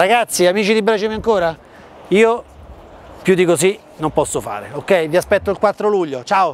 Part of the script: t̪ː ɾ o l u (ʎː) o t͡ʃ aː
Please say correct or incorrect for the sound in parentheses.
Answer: correct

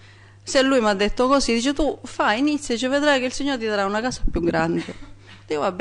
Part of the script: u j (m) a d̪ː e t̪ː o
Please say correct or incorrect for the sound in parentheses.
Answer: correct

